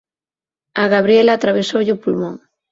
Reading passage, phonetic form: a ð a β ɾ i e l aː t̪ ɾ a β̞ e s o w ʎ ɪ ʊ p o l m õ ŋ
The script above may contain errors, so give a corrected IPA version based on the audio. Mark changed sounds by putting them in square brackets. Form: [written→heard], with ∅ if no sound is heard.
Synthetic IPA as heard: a [ð→ɣ] a β ɾ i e l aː t̪ ɾ a β̞ e s o w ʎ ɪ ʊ p [o→u] l m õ ŋ